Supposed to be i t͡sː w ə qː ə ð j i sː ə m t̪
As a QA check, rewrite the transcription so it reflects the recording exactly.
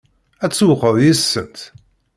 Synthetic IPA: æ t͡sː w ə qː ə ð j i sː ə n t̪